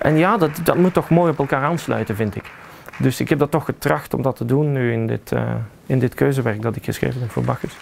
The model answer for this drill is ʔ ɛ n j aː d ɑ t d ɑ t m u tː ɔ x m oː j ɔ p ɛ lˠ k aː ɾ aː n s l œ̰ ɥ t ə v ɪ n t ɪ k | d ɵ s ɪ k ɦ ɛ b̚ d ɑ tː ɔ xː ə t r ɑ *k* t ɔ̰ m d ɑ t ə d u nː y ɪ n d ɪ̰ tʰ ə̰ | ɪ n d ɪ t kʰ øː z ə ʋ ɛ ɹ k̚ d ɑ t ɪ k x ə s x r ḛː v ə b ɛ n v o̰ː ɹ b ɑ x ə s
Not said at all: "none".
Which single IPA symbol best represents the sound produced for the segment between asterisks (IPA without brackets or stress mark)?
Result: x